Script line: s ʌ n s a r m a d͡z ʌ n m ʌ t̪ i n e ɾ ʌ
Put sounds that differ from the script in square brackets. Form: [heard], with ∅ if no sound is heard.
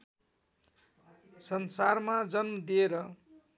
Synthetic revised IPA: s ʌ n s a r m a d͡z ʌ n m ʌ [d̪] i [∅] e ɾ ʌ